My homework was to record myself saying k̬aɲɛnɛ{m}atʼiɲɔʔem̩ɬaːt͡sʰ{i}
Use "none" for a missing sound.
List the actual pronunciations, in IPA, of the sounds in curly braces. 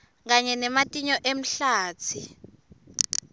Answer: m, i

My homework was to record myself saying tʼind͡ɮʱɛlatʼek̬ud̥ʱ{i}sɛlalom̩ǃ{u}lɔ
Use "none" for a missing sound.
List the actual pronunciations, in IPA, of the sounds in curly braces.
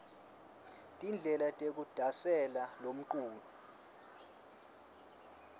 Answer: a, uː

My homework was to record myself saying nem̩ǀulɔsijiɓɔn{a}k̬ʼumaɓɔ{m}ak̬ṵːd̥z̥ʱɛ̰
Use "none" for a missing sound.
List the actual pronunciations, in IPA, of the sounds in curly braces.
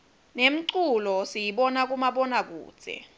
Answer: a, n

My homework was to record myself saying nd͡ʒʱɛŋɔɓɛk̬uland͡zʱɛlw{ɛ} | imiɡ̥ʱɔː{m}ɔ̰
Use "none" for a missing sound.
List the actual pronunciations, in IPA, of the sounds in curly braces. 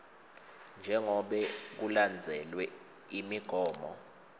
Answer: ɛ, m

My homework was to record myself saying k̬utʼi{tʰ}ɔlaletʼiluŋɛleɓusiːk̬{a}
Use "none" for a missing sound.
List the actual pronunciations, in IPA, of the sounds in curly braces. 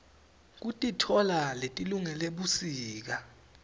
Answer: tʰ, a

